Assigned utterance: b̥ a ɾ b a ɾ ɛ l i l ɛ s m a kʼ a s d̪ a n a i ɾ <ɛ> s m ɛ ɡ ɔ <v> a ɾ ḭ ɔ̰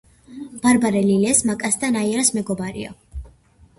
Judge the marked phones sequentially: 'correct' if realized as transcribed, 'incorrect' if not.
incorrect: a, incorrect: b

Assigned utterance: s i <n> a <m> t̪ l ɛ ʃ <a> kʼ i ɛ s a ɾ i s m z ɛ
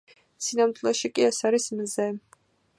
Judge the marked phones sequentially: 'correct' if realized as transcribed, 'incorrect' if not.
correct, correct, incorrect: i

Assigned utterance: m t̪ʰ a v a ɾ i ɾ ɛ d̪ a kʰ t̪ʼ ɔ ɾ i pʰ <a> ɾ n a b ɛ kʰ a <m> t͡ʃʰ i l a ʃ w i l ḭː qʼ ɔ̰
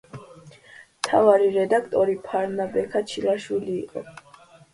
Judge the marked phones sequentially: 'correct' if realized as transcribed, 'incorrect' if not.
correct, incorrect: none

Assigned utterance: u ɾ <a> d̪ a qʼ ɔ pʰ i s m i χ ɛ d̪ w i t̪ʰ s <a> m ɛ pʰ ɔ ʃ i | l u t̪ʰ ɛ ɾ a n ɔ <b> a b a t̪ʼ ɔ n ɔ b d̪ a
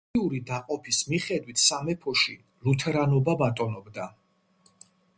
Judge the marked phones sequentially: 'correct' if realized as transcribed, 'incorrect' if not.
incorrect: i, correct, correct

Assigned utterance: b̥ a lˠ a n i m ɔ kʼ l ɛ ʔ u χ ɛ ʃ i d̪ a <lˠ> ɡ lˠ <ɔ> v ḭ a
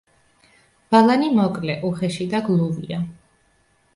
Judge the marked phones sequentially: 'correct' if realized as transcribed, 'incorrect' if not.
incorrect: none, incorrect: u

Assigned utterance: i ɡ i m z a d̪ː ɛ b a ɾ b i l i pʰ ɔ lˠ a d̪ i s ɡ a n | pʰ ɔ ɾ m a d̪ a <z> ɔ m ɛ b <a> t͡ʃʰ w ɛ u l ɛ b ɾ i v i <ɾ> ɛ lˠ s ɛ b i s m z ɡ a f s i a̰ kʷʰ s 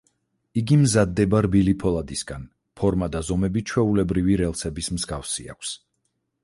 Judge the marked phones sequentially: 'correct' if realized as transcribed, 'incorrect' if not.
correct, incorrect: i, correct

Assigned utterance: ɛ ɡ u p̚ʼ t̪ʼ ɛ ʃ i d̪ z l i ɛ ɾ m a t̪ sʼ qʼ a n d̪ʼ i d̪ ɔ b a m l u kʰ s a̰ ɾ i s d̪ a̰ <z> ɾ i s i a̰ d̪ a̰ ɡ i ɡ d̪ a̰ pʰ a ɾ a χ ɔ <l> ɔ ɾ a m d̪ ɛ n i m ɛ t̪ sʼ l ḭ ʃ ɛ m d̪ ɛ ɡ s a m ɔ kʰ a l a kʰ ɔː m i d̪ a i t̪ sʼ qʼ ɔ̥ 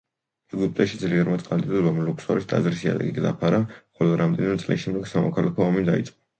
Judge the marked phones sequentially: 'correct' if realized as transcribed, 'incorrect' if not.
correct, correct

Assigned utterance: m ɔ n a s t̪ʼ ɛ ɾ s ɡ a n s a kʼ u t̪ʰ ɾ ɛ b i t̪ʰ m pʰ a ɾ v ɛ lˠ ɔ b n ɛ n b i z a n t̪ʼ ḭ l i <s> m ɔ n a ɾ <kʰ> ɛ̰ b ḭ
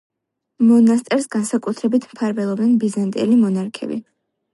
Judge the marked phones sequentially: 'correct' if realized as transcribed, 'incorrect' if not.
incorrect: none, correct

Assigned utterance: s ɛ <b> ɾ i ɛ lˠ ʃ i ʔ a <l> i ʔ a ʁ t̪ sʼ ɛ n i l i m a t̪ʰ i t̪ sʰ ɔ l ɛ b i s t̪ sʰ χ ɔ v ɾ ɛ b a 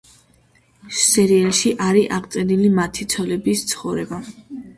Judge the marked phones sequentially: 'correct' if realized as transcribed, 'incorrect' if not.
incorrect: none, incorrect: ɾ

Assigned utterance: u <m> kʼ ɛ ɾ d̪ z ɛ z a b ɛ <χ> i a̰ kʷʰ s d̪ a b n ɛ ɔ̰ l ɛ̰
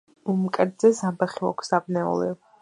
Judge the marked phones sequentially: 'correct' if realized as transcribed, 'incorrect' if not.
correct, correct

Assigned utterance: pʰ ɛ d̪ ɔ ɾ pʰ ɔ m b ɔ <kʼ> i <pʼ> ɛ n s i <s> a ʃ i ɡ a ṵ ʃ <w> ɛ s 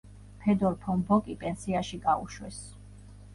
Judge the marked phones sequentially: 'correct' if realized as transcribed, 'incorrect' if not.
correct, correct, incorrect: none, correct

